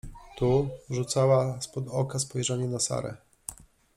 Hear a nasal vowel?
no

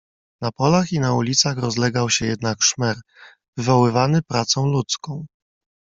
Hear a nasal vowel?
yes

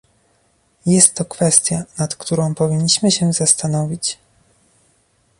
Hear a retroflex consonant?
no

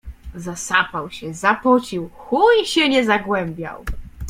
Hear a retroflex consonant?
no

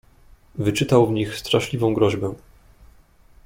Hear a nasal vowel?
yes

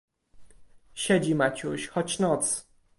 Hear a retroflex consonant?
no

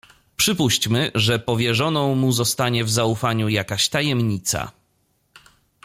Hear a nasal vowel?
yes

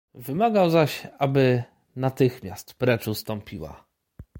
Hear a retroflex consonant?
yes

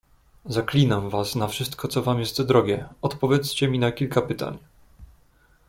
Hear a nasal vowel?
no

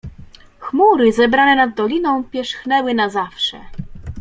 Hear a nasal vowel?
yes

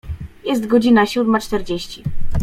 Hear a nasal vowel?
no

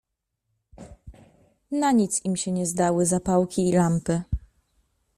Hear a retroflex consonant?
no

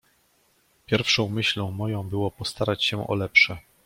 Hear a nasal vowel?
yes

